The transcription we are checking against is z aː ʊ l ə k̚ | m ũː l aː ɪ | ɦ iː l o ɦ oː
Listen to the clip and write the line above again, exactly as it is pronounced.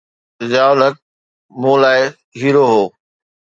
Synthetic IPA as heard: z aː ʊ l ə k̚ | m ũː l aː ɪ | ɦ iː ɾ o ɦ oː